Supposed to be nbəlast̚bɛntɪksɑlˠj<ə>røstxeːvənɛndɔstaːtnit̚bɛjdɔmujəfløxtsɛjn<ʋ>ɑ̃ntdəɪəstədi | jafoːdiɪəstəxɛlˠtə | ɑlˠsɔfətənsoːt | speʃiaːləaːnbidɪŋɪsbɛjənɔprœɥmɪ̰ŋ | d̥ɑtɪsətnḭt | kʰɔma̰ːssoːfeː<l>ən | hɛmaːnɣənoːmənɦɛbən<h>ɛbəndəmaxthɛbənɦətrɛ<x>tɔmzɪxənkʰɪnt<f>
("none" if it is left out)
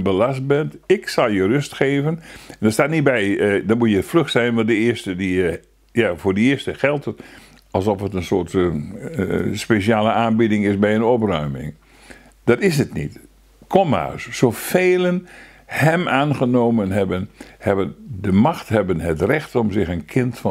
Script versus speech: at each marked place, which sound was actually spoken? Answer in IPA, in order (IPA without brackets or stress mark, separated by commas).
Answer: ə, ʋ, l, h, x, f